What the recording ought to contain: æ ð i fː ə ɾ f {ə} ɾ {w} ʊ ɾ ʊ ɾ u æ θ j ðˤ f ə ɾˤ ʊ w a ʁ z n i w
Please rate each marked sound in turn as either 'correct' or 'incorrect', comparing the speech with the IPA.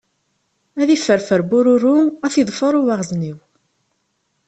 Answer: correct, incorrect

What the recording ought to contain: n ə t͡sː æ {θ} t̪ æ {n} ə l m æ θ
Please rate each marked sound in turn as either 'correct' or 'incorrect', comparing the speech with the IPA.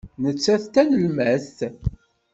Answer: correct, correct

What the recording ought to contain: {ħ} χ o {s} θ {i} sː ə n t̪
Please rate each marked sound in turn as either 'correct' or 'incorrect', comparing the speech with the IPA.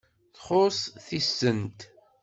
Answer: incorrect, correct, correct

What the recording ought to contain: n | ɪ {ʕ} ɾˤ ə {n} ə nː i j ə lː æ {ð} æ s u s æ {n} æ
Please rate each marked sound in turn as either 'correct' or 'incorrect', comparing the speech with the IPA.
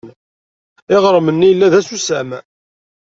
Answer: incorrect, incorrect, correct, incorrect

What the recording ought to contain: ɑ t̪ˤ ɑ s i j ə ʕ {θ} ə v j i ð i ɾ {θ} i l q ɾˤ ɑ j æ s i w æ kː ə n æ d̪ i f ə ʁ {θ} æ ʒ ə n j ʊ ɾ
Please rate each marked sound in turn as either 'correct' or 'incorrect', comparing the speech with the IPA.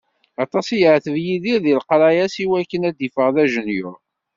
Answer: correct, incorrect, incorrect

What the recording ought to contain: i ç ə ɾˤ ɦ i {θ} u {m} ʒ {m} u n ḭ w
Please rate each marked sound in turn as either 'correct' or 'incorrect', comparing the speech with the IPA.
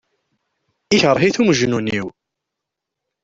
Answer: correct, correct, incorrect

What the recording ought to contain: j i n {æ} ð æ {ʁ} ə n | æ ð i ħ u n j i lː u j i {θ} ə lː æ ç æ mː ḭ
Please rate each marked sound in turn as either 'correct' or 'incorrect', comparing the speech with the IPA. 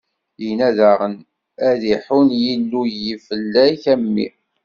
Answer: correct, correct, incorrect

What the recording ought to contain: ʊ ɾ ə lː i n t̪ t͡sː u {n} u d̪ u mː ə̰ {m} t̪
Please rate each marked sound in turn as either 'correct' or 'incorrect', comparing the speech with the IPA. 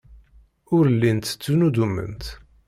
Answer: correct, incorrect

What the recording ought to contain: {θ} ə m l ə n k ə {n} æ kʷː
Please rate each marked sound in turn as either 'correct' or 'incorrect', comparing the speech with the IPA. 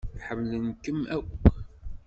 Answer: incorrect, incorrect

